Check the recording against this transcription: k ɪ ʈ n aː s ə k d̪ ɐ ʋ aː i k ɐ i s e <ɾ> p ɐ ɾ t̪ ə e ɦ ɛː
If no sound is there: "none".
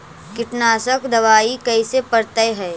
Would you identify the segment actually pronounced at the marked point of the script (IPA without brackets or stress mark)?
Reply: none